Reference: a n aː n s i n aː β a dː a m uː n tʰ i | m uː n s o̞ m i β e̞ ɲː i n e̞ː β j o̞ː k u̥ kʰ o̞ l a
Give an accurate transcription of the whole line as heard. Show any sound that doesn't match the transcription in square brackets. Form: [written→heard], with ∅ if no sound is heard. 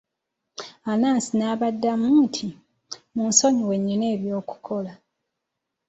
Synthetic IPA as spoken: a n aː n s i n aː β a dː a m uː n tʰ i | m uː n s o̞ [m→ɲ] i [β→w] e̞ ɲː i n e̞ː β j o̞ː k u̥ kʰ o̞ l a